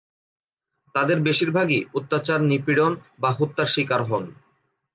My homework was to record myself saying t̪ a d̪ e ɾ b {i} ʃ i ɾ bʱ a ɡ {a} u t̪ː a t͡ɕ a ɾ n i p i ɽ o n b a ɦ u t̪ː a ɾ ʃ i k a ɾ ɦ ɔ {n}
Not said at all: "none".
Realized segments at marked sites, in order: e, i, n

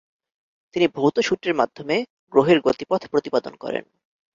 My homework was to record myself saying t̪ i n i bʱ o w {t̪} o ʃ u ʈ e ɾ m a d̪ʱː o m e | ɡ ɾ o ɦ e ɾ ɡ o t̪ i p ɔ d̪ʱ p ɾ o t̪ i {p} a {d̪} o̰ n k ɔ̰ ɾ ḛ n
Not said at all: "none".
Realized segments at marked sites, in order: t̪, p, d̪

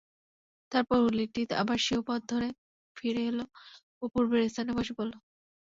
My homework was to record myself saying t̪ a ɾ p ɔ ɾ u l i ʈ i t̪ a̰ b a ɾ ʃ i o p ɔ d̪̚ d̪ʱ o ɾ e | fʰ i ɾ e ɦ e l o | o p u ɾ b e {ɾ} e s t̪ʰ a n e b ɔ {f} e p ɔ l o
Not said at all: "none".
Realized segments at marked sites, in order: ɾ, ʃ

